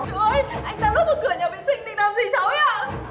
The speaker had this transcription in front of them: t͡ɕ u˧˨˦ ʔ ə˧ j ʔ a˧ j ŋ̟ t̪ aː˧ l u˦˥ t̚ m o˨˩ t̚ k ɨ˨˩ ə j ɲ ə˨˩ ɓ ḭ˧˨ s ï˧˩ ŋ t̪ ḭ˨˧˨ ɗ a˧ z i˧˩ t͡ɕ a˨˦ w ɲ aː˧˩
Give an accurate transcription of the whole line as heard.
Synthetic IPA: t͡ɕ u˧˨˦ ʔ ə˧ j ʔ a˧ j ŋ̟ t̪ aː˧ l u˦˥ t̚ m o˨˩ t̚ k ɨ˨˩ ə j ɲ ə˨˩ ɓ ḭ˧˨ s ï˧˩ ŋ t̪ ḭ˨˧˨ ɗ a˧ z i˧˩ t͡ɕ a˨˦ w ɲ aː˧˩